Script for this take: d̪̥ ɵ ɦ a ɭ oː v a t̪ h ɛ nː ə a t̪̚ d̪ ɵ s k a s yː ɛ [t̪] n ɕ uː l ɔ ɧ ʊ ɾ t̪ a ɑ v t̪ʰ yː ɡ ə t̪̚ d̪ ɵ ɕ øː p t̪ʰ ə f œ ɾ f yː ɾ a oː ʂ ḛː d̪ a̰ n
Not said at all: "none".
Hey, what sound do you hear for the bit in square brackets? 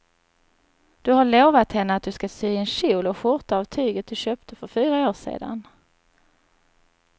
none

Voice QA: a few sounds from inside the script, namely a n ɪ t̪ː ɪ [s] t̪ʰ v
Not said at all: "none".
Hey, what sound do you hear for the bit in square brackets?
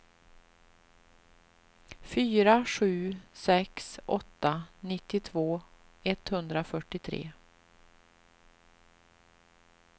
none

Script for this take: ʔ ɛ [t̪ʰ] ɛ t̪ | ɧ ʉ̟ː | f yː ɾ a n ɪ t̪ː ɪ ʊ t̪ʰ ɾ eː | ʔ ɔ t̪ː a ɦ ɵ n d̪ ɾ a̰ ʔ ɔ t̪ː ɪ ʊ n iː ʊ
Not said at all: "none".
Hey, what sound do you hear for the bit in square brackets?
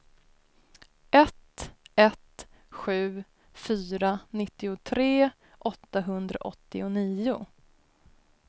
t̪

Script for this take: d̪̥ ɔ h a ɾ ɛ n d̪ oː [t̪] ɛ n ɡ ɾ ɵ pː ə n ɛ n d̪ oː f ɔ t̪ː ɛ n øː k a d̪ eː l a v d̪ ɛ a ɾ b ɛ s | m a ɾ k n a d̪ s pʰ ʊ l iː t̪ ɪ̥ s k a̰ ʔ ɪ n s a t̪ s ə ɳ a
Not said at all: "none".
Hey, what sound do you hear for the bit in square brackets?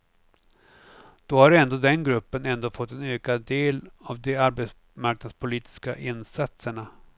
d̪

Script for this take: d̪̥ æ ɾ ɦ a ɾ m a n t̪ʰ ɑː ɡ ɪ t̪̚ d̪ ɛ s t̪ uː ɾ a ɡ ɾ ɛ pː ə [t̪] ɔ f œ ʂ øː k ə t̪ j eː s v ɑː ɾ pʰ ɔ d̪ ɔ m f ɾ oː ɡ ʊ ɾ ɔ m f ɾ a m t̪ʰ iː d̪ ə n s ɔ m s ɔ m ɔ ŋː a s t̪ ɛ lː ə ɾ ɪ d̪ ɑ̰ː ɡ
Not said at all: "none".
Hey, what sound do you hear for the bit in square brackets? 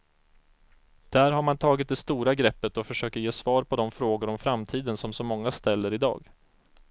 t̪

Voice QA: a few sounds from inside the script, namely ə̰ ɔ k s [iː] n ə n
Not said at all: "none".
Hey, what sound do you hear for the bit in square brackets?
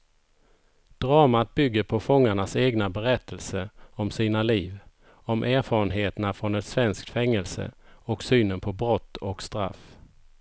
yː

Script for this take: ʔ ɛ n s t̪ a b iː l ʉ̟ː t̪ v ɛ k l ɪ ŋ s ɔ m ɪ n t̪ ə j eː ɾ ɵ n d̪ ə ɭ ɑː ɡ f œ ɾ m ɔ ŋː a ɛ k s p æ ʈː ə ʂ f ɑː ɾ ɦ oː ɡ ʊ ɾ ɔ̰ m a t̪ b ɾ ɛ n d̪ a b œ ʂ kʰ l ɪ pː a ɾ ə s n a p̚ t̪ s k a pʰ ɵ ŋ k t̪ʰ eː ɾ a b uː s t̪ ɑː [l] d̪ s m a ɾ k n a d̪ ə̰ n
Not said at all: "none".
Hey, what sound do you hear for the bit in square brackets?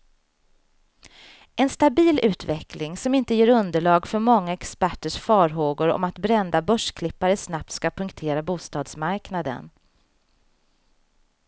none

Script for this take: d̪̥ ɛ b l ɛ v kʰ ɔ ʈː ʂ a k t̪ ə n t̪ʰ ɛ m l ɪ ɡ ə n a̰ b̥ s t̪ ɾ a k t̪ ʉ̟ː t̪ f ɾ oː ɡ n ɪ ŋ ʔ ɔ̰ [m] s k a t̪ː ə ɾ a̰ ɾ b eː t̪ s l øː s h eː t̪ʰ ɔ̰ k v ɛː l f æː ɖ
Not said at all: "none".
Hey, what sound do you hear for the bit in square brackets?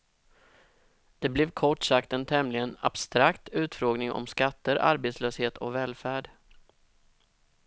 m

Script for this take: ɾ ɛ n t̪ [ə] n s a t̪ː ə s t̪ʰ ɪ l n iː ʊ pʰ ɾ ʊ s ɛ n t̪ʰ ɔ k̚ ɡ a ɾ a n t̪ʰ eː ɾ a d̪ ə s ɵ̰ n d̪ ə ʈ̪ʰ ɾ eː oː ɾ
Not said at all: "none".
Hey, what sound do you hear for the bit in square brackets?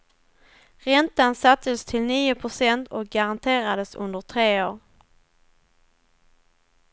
a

